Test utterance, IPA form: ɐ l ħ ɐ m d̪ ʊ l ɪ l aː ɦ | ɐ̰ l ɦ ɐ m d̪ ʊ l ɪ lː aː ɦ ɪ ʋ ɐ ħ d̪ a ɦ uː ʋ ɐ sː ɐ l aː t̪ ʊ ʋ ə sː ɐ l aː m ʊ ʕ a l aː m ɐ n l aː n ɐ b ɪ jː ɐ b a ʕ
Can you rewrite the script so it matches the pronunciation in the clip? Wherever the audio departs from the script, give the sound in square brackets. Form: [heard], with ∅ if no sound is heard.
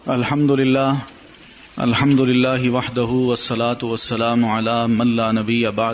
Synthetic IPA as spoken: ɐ l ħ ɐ m d̪ ʊ l ɪ [lː] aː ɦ | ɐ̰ l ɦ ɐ m d̪ ʊ l ɪ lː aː ɦ ɪ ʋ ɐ ħ d̪ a ɦ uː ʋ ɐ sː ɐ l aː t̪ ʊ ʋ [ɐ] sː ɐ l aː m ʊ ʕ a l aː m ɐ n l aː n ɐ b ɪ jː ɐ b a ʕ